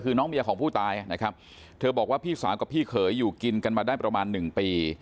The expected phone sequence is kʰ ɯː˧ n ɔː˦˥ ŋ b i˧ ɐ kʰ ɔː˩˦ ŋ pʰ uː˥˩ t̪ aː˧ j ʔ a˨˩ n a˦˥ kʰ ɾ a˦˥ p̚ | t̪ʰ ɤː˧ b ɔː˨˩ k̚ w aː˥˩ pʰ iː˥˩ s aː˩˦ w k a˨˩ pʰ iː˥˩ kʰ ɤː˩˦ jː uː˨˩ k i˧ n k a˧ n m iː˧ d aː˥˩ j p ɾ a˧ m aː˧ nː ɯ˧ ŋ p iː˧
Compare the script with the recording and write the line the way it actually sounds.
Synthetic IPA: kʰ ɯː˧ n ɔː˦˥ ŋ b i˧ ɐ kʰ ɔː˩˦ ŋ pʰ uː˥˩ t̪ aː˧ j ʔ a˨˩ n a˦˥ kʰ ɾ a˦˥ p̚ | t̪ʰ ɤː˧ b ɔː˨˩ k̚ w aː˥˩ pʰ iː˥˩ s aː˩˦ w k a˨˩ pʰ iː˥˩ kʰ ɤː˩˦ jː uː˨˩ k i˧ n k a˧ n m aː˧ d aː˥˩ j p ɾ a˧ m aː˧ nː ɯ˨˩ ŋ p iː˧

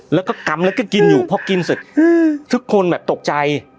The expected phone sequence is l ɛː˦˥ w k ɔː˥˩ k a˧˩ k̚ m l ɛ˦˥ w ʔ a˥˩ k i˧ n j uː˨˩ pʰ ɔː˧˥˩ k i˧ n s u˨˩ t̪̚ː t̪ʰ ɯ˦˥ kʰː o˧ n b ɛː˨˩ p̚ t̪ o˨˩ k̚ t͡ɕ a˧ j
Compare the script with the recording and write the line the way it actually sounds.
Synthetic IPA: l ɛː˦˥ w k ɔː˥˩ k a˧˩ m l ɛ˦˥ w k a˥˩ k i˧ n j uː˨˩ pʰ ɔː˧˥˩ k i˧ n s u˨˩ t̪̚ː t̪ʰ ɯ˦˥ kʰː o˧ n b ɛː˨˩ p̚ t̪ o˨˩ k̚ t͡ɕ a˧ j

